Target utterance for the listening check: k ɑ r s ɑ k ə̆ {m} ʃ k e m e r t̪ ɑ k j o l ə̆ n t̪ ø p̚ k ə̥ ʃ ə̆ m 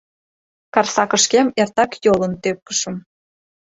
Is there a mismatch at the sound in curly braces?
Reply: yes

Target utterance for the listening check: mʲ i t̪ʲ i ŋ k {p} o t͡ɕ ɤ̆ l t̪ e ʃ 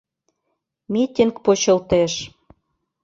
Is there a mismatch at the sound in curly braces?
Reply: no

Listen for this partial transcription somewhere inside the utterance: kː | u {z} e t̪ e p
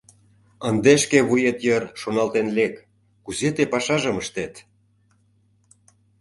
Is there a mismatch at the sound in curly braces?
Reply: no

